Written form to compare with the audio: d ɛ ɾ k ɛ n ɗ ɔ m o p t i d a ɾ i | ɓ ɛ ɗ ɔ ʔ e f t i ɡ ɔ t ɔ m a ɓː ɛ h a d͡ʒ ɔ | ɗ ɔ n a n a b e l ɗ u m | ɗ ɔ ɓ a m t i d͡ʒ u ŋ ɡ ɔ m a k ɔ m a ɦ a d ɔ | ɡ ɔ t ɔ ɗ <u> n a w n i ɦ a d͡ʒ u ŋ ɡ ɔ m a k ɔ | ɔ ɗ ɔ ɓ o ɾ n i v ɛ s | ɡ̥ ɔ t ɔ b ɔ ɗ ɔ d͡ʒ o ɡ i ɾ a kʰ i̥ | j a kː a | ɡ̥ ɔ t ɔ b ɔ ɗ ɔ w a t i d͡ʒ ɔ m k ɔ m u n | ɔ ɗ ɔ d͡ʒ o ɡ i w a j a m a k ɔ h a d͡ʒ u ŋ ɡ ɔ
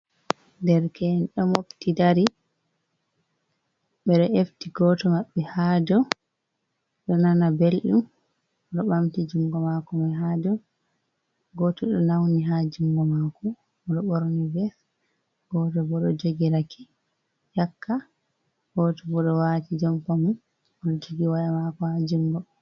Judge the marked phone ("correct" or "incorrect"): incorrect